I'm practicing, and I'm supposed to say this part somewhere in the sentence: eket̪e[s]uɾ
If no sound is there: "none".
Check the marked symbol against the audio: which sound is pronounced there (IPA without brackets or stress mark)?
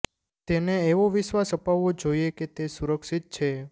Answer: s